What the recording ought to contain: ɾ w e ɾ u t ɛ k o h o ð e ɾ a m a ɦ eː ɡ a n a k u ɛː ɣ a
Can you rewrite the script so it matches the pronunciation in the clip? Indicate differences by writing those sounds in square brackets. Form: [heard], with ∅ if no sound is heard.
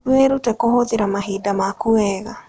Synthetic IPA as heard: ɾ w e ɾ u t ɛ k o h o ð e ɾ a m a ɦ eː [d] a [m] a k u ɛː ɣ a